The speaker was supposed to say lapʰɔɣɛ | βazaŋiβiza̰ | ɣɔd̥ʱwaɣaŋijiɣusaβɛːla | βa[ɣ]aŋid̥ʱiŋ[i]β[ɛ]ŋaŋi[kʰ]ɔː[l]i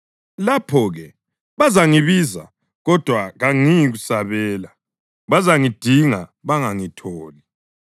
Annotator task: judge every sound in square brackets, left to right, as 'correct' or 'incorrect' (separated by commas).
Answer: incorrect, incorrect, incorrect, incorrect, correct